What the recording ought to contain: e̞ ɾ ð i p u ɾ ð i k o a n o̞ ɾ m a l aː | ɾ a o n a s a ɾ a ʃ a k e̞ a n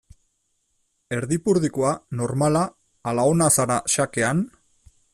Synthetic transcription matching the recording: e̞ ɾ ð i p u ɾ ð i k o a n o̞ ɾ m a l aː | l a o n a s a ɾ a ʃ a k e̞ a n